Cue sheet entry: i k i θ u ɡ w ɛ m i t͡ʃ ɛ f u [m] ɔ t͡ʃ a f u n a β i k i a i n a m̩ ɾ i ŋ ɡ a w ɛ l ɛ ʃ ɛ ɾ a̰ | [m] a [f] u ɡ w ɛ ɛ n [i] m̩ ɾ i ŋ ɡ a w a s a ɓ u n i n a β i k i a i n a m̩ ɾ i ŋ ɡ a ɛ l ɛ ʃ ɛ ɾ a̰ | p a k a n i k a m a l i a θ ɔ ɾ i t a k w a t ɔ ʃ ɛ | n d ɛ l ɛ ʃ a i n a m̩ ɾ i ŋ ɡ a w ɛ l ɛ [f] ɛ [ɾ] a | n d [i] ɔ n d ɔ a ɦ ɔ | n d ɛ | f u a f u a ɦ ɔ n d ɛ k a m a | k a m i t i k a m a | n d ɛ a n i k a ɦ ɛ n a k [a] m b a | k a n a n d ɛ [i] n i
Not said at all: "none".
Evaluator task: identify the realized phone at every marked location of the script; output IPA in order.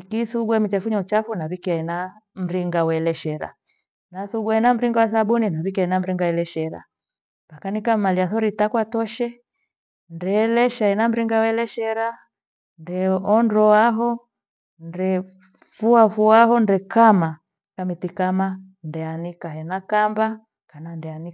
ɲ, n, θ, a, ʃ, ɾ, ɛ, a, a

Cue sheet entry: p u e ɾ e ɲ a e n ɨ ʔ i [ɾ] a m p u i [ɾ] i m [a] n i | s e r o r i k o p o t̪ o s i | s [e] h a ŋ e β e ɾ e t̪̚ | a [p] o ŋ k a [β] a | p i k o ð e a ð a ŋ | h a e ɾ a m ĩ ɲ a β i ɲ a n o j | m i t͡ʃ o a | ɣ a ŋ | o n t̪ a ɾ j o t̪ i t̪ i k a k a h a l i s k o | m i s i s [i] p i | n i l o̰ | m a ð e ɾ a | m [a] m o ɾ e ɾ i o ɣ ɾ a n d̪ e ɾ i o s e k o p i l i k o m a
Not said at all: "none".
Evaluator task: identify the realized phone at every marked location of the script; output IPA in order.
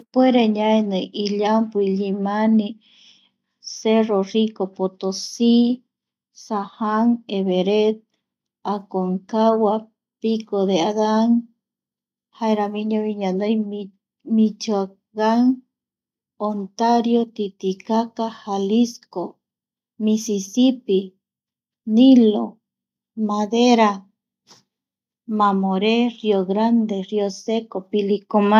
ʎ, ʎ, a, a, k, w, i, a

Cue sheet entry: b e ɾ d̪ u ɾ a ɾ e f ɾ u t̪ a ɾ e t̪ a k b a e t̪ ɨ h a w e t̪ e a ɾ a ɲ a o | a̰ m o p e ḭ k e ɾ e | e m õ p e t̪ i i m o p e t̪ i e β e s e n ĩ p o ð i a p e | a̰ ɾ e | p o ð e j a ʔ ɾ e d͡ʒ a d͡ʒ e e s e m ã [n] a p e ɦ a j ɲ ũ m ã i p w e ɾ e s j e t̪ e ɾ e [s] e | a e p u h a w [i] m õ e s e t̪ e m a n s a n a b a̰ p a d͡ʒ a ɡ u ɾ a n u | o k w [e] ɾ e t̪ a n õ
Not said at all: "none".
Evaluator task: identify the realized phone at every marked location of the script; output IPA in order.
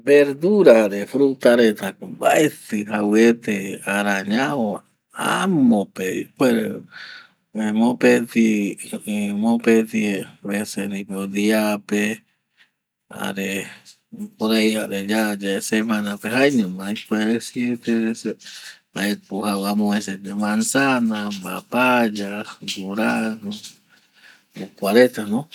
n, s, a, a

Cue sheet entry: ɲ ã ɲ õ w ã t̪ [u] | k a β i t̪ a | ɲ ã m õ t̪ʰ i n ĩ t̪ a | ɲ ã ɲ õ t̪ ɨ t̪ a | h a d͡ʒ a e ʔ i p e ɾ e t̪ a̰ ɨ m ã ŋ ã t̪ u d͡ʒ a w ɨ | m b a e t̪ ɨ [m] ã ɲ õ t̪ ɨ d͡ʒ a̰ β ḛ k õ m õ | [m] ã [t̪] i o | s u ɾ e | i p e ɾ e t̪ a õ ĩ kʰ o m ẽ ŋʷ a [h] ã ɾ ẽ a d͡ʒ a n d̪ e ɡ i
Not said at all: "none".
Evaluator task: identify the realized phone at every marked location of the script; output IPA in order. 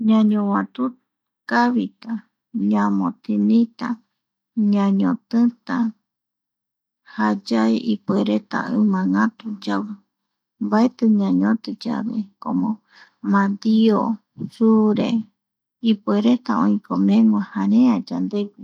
u, ɲ, m, d̪, h

